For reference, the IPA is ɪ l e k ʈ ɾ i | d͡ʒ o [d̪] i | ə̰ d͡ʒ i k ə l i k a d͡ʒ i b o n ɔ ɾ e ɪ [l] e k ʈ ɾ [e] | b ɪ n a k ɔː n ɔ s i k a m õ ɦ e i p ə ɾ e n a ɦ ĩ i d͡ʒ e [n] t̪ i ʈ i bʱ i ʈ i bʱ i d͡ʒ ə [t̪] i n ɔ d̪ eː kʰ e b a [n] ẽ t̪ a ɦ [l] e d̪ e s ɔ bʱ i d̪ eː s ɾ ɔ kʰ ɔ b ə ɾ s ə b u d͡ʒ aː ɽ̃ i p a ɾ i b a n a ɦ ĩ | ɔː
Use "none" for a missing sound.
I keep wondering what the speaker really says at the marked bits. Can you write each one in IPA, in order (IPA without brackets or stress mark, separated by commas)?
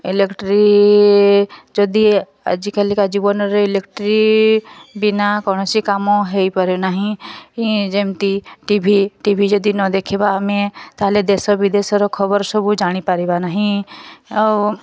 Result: d̪, l, i, m, d̪, m, l